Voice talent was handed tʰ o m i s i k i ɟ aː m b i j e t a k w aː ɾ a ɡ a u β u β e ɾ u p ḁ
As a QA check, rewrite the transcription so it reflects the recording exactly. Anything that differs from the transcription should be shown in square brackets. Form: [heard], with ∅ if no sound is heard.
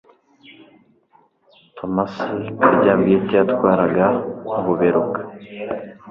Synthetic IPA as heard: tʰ o m [a] s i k [a] ɟ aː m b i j e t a [t] w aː ɾ a ɡ a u β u β e ɾ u [k] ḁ